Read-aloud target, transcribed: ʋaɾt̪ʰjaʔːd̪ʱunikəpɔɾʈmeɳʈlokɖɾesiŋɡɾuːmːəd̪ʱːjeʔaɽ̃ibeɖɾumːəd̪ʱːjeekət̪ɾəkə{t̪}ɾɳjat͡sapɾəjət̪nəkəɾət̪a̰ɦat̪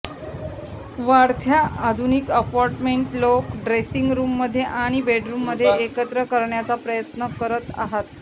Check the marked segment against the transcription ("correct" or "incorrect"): incorrect